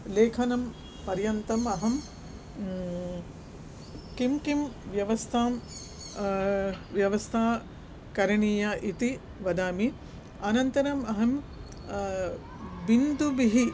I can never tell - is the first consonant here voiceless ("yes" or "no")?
no